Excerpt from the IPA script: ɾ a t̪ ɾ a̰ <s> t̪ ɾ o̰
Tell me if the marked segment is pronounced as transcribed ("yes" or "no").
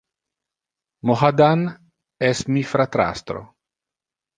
yes